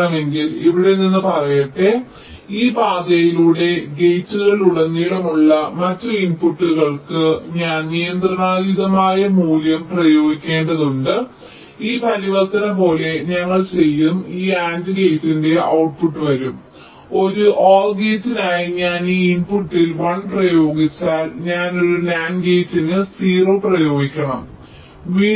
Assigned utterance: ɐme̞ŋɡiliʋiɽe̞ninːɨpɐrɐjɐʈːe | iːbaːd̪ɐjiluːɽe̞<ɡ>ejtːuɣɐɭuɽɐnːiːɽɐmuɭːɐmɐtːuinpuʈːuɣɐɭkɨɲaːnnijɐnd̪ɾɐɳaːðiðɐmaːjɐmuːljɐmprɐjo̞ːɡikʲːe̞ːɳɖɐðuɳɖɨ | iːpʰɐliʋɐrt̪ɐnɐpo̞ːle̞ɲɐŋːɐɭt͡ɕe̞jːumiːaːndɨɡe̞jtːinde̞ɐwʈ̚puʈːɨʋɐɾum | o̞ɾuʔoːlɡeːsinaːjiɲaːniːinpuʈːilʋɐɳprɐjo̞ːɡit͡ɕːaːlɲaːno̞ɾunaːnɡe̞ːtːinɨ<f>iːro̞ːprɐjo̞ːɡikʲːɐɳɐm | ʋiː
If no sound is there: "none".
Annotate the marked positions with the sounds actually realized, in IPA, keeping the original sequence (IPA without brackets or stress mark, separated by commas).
ɡ, s